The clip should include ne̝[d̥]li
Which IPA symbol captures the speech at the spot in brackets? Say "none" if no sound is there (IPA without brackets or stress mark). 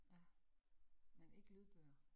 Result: ɡ̥